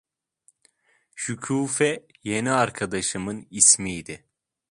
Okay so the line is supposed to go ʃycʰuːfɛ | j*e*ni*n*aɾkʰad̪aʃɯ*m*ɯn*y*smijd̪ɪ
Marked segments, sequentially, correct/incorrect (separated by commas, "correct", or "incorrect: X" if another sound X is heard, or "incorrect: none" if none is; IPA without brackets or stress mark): correct, incorrect: none, correct, incorrect: i